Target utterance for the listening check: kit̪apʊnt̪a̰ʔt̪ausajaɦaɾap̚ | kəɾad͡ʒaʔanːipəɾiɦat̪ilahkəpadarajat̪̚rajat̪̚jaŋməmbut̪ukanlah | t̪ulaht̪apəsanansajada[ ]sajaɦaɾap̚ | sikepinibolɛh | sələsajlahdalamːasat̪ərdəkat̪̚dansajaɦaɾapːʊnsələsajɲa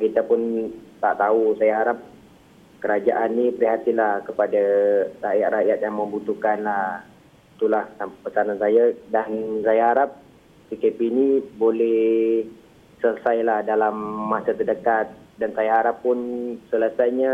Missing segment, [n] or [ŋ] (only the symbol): n